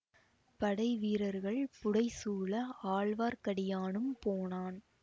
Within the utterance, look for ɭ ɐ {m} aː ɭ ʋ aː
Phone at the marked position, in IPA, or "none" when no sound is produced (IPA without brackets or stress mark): none